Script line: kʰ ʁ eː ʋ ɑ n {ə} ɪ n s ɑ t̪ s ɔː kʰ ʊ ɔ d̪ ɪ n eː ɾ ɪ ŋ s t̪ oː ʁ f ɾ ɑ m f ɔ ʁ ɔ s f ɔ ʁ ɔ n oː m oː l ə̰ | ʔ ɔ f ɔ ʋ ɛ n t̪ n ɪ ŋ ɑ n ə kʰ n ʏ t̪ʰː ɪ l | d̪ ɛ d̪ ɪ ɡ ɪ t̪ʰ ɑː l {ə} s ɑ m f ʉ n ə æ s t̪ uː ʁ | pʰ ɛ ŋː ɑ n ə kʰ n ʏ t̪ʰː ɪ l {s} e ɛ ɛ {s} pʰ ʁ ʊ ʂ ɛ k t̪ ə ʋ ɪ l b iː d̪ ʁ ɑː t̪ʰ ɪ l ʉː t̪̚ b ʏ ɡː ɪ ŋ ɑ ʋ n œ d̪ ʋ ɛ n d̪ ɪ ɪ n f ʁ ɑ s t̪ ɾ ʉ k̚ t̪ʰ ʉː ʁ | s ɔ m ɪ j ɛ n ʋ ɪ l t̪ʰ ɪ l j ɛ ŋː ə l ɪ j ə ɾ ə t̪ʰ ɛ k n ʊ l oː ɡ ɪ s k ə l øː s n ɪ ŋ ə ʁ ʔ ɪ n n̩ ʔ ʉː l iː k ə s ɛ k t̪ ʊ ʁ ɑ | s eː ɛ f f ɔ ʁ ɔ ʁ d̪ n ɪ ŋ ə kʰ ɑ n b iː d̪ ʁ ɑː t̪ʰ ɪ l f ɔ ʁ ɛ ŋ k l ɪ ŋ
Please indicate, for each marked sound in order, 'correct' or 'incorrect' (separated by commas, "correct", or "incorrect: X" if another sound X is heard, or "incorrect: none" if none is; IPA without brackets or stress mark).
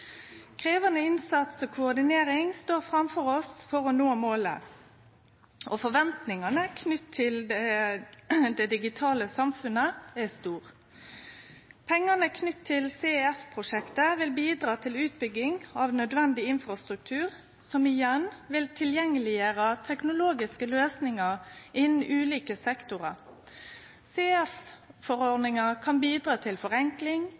correct, correct, correct, incorrect: f